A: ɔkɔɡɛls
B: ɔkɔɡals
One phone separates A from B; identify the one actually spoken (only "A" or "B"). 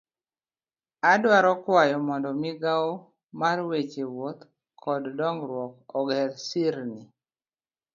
A